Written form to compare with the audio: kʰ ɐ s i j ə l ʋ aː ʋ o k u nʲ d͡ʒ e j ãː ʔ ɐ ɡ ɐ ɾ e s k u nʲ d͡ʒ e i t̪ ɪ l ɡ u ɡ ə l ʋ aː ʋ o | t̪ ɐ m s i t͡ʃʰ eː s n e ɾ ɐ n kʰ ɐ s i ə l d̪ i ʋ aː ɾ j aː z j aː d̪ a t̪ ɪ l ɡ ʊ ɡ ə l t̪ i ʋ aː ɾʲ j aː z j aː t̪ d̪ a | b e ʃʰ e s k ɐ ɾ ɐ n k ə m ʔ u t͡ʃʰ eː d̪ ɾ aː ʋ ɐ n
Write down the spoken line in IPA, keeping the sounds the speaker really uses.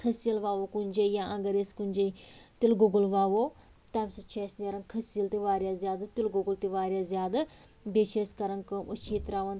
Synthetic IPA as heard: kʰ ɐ s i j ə l ʋ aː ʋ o k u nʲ d͡ʒ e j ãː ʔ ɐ ɡ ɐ ɾ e s k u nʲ d͡ʒ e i t̪ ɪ l ɡ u ɡ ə l ʋ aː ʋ o | t̪ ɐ m s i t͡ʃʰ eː s n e ɾ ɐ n kʰ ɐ s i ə l t̪ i ʋ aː ɾ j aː z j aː d̪ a t̪ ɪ l ɡ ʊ ɡ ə l t̪ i ʋ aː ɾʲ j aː z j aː d̪ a | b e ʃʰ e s k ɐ ɾ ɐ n k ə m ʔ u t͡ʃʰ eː t̪ ɾ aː ʋ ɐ n